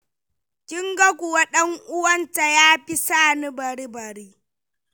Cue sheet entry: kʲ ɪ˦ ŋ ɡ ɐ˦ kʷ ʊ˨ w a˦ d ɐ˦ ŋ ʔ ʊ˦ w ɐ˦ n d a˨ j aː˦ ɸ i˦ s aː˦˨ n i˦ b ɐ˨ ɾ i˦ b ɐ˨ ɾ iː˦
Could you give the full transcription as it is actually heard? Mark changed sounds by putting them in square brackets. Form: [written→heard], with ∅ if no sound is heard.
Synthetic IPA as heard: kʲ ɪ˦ ŋ ɡ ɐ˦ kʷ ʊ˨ w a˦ [d→ɗ] ɐ˦ ŋ ʔ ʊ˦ w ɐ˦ n [d→t] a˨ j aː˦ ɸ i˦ s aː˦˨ n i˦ b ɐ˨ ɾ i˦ b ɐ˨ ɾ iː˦